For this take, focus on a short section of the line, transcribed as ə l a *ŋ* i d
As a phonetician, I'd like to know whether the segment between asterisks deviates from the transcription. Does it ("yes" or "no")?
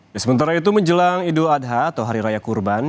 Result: no